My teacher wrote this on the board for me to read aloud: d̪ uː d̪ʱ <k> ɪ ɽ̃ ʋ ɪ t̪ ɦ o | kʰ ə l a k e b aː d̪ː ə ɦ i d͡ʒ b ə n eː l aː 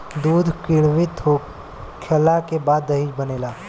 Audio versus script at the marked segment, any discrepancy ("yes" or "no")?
no